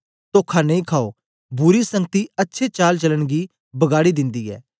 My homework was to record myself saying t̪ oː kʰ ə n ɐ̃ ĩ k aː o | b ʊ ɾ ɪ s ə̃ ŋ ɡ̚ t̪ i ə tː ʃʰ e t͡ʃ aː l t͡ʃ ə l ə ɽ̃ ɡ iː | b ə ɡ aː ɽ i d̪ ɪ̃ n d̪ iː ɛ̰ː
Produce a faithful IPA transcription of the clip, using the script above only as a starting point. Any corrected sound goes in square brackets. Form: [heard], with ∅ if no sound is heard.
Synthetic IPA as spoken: t̪ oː kʰ [a] n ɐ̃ ĩ [kʰ] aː o | b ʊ ɾ [i] s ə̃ ŋ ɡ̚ t̪ i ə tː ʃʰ e t͡ʃ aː l t͡ʃ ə l ə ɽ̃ ɡ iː | b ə ɡ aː ɽ i d̪ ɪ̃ n d̪ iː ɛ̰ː

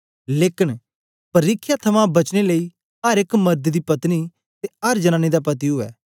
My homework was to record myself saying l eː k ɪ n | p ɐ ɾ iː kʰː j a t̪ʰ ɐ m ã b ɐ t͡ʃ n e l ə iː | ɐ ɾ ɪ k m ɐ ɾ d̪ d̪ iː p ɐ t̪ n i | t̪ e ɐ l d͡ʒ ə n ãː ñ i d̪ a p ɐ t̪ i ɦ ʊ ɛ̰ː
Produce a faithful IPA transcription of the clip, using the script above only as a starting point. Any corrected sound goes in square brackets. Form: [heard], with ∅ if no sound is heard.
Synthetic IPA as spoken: l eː k ɪ n | p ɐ ɾ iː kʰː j a t̪ʰ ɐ m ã b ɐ t͡ʃ n e l ə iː | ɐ ɾ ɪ k m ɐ ɾ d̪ d̪ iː p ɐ t̪ n i | t̪ e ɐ [ɾ] d͡ʒ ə n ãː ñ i d̪ a p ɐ t̪ i ɦ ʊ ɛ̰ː

